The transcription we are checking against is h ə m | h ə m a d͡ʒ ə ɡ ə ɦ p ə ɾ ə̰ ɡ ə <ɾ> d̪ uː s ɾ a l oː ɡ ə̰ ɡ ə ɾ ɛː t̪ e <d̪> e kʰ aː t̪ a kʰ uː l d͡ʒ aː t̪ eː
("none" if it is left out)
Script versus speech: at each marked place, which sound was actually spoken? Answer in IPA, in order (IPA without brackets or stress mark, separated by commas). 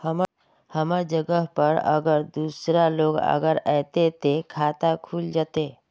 ɾ, t̪